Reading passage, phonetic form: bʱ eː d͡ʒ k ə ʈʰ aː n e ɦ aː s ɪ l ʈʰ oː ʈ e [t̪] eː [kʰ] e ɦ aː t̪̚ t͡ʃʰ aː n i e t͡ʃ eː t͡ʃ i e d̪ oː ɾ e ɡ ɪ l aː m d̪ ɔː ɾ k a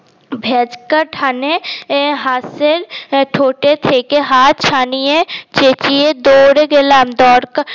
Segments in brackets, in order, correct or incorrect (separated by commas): incorrect, incorrect